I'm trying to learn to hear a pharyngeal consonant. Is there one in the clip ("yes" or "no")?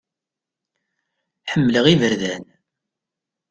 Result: yes